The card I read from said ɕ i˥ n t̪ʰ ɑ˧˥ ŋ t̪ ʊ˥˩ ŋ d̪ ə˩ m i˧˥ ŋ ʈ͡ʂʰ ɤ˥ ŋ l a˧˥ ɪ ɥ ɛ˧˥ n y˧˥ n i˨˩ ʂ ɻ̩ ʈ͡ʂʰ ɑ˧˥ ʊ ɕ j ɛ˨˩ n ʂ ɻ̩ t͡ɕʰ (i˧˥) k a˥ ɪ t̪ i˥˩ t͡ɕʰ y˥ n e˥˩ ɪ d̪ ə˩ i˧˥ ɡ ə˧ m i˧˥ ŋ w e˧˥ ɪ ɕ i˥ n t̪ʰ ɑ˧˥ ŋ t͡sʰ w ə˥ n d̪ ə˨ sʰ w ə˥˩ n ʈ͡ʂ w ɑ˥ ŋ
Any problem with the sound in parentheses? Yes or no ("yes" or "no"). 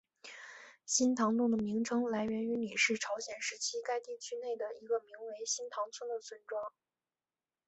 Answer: yes